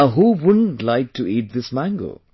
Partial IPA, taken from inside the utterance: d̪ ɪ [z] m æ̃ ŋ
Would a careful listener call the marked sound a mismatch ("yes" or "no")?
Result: yes